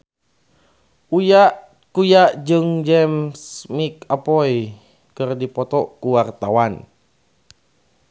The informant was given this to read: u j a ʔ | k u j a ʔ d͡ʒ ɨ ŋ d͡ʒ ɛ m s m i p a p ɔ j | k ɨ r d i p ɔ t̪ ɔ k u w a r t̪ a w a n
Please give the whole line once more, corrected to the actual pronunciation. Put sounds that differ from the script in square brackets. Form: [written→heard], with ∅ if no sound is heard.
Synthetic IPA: u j a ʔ | k u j a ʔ d͡ʒ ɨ ŋ d͡ʒ ɛ m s m i [p→k] a p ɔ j | k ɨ r d i p ɔ t̪ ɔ k u w a r t̪ a w a n